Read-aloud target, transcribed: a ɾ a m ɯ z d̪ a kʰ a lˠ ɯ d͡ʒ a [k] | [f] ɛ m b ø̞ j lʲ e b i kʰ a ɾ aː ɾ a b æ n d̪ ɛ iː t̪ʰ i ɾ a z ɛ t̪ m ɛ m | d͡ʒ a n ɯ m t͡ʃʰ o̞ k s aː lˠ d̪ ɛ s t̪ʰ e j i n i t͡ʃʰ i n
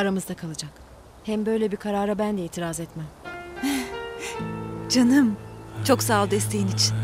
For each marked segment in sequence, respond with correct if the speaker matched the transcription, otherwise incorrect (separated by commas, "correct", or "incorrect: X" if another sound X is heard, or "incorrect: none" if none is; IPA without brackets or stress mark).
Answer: correct, incorrect: h